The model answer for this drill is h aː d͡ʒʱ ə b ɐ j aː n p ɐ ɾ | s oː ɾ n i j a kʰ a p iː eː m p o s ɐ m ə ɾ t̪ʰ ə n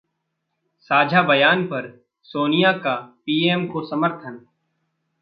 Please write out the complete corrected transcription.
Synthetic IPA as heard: s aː d͡ʒʱ a b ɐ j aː n p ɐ ɾ | s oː n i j a k a p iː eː m k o s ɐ m ə ɾ t̪ʰ ə n